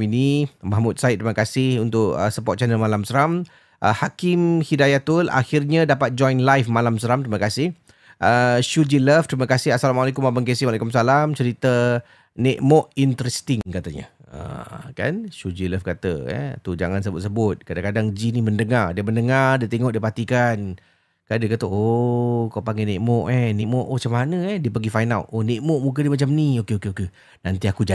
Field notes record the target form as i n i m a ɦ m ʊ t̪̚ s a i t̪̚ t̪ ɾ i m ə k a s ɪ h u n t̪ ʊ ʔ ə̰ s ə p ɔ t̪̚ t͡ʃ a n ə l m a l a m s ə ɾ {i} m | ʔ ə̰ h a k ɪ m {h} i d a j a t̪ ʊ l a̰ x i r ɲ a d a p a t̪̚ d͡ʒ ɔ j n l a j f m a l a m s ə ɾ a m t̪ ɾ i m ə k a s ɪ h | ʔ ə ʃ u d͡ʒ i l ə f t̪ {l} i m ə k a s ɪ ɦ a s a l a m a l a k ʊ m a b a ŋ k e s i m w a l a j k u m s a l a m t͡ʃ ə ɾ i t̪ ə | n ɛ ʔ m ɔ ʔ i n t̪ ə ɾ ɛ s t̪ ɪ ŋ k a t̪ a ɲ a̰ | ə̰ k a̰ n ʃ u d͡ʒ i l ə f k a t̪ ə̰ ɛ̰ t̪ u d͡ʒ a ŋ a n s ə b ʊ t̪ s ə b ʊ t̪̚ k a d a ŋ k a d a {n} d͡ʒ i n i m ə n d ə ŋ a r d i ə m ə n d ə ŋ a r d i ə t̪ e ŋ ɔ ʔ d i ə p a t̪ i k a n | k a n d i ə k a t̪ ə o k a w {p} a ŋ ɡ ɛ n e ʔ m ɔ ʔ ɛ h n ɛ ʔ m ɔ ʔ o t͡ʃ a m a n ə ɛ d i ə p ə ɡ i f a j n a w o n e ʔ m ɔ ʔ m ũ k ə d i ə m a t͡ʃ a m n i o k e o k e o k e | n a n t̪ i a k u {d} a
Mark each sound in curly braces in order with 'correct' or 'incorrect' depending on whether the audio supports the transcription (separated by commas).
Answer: incorrect, correct, incorrect, incorrect, correct, incorrect